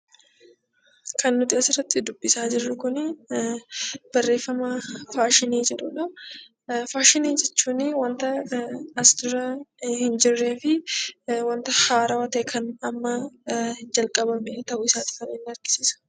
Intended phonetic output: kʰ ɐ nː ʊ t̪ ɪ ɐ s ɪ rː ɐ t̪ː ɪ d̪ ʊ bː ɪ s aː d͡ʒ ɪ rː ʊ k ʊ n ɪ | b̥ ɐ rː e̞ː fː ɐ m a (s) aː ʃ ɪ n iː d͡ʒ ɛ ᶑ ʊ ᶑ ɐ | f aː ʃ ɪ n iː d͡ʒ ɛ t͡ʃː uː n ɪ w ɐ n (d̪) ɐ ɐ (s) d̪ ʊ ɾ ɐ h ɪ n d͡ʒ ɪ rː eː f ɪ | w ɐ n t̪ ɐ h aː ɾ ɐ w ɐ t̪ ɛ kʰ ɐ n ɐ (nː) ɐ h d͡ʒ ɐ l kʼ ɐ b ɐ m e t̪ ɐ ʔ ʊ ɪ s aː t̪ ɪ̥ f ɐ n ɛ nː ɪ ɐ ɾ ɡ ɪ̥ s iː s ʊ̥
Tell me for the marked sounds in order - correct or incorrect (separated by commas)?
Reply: incorrect, incorrect, correct, incorrect